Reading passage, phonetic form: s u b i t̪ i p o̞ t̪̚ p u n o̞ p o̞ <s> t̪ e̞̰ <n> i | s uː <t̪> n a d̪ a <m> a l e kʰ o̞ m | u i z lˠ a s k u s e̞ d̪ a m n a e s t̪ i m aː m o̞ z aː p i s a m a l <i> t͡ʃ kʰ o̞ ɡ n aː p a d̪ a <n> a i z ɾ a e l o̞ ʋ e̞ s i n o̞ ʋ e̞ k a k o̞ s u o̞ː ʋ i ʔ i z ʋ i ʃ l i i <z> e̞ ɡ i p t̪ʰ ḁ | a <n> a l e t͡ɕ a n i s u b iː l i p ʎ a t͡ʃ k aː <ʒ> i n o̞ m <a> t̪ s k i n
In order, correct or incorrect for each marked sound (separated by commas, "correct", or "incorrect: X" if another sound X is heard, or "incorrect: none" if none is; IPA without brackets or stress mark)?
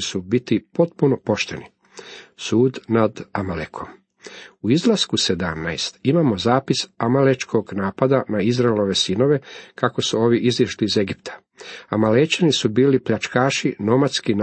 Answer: incorrect: ʃ, correct, incorrect: d̪, correct, incorrect: e, correct, correct, incorrect: m, incorrect: ʃ, correct